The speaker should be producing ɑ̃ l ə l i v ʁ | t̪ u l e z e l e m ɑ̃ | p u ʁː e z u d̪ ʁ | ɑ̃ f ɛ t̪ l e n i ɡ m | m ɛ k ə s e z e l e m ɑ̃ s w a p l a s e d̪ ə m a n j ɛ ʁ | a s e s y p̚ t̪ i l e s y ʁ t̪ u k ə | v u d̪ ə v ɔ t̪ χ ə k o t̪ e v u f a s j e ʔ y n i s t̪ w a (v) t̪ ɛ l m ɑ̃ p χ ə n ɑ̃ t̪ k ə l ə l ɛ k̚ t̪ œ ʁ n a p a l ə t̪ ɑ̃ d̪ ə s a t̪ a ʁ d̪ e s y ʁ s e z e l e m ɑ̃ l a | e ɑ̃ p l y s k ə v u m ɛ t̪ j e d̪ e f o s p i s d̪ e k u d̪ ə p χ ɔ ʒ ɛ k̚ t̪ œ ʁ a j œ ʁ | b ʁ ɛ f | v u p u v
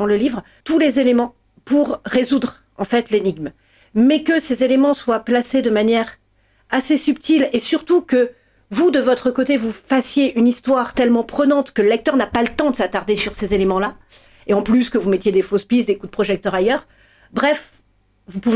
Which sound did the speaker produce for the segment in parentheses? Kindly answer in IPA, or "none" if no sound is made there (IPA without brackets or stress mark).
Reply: ʁ